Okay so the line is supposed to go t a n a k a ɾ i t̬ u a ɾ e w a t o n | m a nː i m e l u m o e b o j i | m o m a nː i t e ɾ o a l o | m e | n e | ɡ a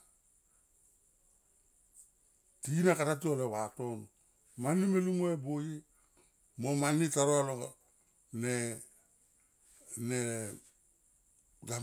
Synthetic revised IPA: t i n a k a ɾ a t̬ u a l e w a t o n | m a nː i m e l u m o e b o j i | m o m a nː i t a ɾ o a l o | n e | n e | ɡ a